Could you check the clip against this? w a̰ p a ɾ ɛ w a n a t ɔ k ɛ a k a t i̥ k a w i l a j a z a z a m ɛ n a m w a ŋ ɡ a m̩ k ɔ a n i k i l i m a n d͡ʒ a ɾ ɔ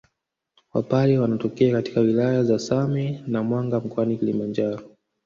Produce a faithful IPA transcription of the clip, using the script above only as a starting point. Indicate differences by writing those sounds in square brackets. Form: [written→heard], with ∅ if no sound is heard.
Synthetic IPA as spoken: w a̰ p a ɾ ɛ w a n a t ɔ k ɛ a k a t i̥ k a w i l a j a z a [z→s] a m ɛ n a m w a ŋ ɡ a m̩ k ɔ a n i k i l i m a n d͡ʒ a ɾ ɔ